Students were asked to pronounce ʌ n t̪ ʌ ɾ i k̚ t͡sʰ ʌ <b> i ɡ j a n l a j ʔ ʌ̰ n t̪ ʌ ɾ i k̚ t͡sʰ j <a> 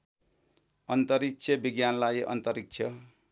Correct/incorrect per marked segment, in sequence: correct, incorrect

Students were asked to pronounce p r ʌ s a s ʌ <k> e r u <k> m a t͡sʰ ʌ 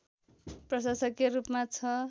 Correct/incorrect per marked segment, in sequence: correct, incorrect

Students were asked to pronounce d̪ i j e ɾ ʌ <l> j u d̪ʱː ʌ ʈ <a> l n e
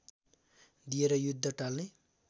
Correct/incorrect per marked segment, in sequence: incorrect, correct

